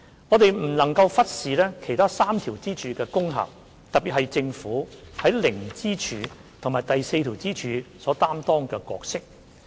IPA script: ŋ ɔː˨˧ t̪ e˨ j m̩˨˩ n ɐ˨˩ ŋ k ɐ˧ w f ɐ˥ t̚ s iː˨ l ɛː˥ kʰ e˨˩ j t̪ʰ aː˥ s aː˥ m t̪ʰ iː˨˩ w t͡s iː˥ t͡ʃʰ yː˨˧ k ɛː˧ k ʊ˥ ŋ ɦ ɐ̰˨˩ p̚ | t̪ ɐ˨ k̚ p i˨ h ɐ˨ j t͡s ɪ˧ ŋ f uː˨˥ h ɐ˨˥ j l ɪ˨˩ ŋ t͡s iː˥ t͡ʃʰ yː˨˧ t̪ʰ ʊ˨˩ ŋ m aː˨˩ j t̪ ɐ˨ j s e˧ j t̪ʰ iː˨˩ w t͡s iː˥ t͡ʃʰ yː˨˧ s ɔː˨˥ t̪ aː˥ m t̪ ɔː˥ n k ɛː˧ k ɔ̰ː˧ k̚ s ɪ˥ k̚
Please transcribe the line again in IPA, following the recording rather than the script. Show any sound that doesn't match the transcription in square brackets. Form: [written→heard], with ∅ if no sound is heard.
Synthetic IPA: ŋ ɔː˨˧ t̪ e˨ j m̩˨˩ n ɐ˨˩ ŋ k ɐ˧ w f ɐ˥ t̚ s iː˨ l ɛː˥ kʰ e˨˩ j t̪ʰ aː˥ s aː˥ m t̪ʰ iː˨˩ w t͡s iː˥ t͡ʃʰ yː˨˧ k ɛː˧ k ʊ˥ ŋ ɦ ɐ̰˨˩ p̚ | t̪ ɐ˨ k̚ p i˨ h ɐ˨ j t͡s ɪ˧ ŋ f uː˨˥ h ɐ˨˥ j l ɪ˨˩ ŋ t͡s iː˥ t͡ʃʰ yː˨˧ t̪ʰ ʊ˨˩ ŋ m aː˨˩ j t̪ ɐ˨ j s e˧ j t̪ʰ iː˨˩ w t͡s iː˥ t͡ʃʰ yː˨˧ s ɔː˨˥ t̪ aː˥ m t̪ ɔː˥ [n→ŋ] k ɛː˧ k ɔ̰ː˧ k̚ s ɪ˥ k̚